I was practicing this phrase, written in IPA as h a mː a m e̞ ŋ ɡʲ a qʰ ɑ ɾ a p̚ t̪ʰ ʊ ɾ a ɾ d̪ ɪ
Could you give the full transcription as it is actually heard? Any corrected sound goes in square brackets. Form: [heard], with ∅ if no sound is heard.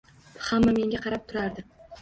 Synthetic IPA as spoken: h a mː a m e̞ ŋ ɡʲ a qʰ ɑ ɾ a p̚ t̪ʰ ʊ ɾ a ɾ d̪ ɪ